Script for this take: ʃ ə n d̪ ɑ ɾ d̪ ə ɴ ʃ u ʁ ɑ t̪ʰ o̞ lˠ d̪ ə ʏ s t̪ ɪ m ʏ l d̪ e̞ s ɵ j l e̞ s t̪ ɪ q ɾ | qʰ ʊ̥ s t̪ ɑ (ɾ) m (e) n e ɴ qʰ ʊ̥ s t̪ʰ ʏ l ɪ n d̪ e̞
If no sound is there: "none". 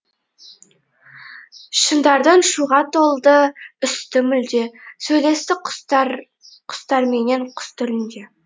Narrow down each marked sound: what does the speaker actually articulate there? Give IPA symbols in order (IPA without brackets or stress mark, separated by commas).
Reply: ɾ, e